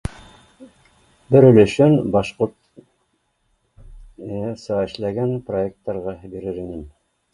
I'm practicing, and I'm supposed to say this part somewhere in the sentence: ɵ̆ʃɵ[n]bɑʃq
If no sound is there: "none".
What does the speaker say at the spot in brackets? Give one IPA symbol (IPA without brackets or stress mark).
n